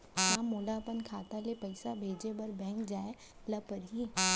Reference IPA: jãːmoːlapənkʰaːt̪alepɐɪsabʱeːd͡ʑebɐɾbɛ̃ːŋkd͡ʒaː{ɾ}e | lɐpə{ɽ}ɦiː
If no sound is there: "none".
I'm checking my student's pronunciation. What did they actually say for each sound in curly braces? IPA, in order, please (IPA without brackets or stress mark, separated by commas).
none, ɾ